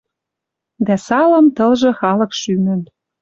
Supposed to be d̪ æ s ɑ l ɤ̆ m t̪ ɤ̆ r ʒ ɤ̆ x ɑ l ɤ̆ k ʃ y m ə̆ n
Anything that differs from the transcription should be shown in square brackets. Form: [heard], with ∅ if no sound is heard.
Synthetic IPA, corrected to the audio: d̪ æ s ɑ l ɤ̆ m t̪ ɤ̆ [l] ʒ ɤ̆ x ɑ l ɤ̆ k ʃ y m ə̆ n